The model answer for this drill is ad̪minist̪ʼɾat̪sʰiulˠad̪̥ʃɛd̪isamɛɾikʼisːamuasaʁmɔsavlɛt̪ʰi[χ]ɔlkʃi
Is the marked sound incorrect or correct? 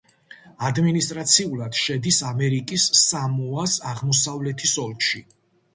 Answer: incorrect